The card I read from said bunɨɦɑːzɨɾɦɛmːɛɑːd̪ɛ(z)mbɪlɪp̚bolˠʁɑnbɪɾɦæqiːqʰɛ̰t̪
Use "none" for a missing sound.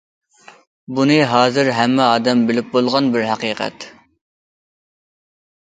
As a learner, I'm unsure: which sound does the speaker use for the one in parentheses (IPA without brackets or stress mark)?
none